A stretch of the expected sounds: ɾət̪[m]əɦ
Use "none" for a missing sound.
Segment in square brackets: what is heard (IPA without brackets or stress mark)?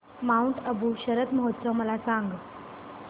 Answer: m